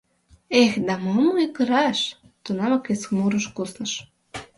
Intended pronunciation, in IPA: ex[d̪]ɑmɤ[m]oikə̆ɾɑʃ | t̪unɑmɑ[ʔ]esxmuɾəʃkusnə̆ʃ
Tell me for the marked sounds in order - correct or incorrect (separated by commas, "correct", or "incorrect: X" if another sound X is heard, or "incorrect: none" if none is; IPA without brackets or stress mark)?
correct, correct, incorrect: k